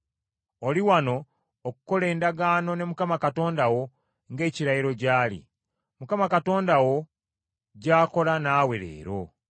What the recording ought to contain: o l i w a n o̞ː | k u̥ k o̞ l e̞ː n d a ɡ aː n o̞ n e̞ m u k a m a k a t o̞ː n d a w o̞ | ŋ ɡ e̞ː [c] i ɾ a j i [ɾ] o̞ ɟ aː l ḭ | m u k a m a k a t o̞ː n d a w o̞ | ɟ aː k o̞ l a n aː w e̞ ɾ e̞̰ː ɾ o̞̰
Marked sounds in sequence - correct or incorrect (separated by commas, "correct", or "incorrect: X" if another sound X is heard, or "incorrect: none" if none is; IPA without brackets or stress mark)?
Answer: correct, correct